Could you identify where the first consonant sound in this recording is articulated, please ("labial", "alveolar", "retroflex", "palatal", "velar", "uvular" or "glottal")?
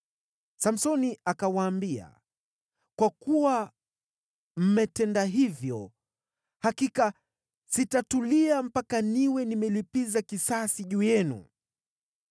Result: alveolar